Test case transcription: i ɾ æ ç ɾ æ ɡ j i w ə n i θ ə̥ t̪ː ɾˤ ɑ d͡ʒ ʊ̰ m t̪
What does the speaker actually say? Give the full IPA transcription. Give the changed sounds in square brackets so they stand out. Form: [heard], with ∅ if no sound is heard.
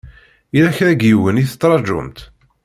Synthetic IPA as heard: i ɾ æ ç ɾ æ ɡ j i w ə n i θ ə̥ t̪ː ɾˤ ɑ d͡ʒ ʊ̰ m t̪